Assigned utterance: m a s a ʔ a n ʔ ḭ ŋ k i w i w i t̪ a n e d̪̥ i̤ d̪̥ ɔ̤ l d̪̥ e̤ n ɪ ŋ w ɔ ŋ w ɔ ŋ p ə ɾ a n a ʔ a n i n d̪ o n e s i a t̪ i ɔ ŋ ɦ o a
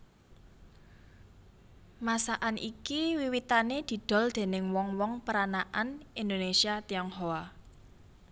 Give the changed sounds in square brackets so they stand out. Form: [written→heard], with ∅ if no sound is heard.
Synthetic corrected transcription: m a s a ʔ a n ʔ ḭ [ŋ→∅] k i w i w i t̪ a n e d̪̥ i̤ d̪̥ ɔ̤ l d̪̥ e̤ n ɪ ŋ w ɔ ŋ w ɔ ŋ p ə ɾ a n a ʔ a n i n d̪ o n e s i a t̪ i ɔ ŋ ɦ o a